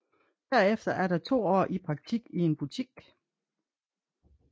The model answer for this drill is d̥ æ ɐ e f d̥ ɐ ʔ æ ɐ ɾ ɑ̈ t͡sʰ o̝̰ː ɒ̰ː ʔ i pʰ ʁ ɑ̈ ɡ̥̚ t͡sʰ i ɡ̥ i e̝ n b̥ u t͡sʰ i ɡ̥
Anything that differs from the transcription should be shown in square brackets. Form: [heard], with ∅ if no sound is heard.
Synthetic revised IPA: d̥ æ ɐ e f d̥ ɐ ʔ æ ɐ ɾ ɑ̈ t͡sʰ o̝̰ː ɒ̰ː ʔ i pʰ ʁ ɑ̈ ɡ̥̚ t͡sʰ i ɡ̥ i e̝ n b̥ u t͡sʰ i ɡ̥